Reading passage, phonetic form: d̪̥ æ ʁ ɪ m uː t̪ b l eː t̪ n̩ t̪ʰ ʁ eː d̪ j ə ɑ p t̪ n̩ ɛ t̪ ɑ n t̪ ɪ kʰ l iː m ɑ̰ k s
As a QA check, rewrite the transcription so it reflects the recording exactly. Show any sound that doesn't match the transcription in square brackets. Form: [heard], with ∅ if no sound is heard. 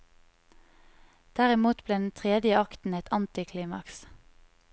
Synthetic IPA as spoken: d̪̥ æ ʁ ɪ m uː t̪ b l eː [d̪] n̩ t̪ʰ ʁ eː d̪ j ə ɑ [k] t̪ n̩ ɛ t̪ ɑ n t̪ ɪ kʰ l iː m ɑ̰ k s